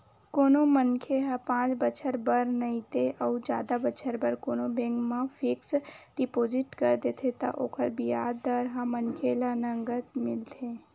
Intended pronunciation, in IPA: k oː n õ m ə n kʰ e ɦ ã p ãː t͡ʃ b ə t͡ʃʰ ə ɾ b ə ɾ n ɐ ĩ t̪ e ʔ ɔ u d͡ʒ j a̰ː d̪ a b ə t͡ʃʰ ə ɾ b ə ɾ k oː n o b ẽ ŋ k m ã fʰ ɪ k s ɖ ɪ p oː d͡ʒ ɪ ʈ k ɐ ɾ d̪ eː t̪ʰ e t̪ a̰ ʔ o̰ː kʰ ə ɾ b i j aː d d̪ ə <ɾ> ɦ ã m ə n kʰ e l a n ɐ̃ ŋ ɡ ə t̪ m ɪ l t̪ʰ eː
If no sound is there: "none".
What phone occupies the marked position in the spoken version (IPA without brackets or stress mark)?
ɾ